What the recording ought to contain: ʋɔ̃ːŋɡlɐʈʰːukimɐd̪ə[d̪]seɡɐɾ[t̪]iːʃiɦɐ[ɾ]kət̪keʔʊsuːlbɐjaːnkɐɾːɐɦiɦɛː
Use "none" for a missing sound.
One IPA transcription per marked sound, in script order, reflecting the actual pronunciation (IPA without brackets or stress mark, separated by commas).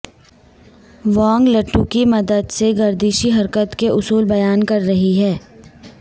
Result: d̪, d̪, ɾ